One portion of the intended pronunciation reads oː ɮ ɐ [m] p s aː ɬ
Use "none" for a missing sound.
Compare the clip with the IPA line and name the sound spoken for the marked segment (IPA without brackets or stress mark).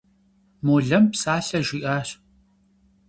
m